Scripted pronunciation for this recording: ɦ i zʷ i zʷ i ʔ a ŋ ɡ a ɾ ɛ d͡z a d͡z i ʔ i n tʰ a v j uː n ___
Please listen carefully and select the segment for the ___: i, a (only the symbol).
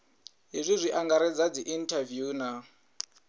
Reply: a